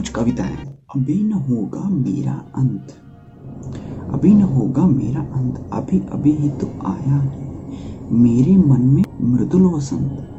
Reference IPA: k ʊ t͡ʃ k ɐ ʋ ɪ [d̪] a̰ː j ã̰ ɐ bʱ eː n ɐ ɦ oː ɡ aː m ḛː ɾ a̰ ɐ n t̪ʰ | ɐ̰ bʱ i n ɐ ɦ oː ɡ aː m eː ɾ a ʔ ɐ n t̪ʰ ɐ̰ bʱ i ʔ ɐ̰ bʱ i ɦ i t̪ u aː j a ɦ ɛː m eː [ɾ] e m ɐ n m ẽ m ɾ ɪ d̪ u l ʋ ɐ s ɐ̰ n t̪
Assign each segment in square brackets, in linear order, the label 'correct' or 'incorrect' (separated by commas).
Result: incorrect, correct